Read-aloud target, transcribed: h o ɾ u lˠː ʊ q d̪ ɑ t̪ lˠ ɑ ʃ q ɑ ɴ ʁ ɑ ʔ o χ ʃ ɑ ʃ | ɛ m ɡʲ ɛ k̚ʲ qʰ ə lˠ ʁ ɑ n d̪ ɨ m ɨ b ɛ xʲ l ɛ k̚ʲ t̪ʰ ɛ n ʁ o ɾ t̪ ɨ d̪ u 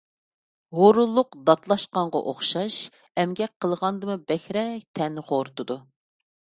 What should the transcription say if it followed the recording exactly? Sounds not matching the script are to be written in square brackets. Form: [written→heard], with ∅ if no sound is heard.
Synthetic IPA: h o ɾ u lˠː ʊ q d̪ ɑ t̪ lˠ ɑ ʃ q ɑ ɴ ʁ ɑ ʔ o χ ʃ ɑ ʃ | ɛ m ɡʲ ɛ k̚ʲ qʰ ə lˠ ʁ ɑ n d̪ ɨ m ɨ b ɛ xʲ [l→ɾ] ɛ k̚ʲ t̪ʰ ɛ n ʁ o ɾ t̪ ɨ d̪ u